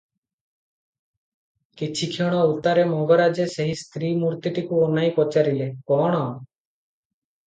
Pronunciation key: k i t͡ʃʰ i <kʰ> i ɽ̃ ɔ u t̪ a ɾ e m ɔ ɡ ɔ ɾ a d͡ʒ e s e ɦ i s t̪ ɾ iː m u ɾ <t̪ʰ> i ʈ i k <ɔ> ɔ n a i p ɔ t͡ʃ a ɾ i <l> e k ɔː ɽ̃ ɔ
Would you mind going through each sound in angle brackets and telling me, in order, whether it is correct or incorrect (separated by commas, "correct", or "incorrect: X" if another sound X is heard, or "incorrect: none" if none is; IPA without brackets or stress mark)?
correct, incorrect: t̪, incorrect: u, correct